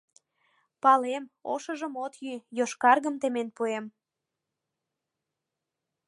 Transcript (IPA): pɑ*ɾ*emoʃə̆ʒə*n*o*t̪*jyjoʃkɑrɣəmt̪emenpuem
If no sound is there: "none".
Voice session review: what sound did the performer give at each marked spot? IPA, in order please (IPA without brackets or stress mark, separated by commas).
l, m, t̪